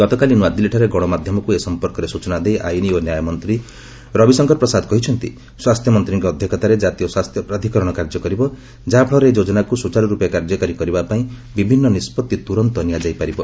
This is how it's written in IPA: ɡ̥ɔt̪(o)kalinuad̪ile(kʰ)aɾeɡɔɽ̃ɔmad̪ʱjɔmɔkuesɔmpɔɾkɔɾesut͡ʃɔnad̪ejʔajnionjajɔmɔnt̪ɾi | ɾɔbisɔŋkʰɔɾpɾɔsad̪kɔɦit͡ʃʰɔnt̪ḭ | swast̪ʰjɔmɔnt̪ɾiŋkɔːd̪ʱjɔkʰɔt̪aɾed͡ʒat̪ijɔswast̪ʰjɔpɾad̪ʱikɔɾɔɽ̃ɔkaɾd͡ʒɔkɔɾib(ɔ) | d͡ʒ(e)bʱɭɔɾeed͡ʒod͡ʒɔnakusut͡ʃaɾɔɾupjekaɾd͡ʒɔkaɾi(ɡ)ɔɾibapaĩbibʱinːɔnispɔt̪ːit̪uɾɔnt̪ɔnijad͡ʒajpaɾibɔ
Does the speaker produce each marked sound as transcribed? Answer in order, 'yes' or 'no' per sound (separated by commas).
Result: no, no, yes, no, no